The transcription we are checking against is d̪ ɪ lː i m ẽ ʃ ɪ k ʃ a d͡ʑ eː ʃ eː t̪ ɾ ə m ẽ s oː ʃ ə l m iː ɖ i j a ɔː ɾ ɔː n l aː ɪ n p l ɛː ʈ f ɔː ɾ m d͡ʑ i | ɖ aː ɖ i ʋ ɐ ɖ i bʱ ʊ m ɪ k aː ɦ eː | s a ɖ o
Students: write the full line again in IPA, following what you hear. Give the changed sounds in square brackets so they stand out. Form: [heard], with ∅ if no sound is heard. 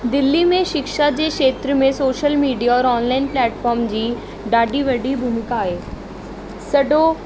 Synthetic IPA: d̪ ɪ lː i m ẽ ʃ ɪ k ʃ a d͡ʑ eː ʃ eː t̪ ɾ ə m ẽ s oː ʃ ə l m iː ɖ i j a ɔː ɾ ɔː n l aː ɪ n p l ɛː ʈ f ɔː ɾ m d͡ʑ [iː] | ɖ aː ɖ i ʋ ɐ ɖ i bʱ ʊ m ɪ k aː ɦ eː | s [ɐ] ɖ o